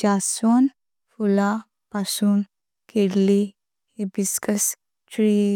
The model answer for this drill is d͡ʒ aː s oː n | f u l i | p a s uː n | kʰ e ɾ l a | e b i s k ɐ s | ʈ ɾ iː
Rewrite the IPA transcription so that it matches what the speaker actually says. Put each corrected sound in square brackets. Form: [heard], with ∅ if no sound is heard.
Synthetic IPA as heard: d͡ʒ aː s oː n | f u l [a] | p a s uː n | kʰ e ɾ l [i] | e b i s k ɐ s | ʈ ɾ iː